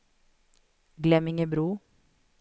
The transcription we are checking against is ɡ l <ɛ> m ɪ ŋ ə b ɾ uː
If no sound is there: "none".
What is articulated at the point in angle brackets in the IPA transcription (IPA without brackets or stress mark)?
ɛ